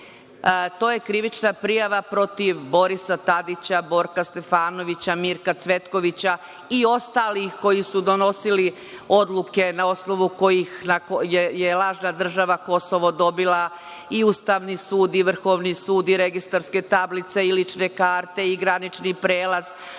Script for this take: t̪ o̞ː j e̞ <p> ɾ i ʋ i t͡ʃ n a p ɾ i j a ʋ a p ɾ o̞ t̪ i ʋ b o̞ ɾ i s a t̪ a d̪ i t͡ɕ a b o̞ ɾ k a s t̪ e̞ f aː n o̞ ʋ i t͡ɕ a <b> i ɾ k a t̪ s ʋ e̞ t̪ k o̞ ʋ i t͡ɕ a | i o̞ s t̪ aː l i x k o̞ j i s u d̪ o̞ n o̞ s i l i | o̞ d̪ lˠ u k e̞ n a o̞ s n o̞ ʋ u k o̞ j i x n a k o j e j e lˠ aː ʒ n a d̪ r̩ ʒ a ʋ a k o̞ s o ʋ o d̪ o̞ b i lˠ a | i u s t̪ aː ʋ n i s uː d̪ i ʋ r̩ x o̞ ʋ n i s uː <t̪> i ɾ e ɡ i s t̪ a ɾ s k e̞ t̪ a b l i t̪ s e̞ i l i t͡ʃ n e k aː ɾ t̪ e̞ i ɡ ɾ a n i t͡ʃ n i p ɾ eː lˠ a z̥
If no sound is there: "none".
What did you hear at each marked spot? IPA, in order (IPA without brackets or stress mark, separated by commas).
k, m, d̪